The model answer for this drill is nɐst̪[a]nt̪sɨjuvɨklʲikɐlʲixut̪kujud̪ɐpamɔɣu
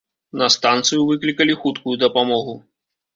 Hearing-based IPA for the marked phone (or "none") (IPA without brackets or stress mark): a